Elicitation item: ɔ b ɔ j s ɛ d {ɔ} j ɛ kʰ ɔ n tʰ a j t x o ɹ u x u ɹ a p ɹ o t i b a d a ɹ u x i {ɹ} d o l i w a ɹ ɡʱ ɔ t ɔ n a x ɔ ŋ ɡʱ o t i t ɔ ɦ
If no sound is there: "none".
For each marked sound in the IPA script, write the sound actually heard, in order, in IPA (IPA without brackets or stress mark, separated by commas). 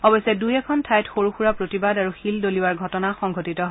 u, l